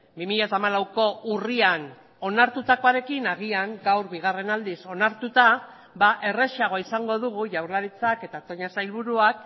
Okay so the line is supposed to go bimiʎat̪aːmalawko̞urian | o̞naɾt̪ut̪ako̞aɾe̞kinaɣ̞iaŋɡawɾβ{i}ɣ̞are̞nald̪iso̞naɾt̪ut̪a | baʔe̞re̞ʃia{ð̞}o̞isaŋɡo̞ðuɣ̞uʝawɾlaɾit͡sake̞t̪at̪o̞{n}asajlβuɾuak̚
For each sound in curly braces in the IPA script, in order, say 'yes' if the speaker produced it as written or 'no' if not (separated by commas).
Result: yes, no, no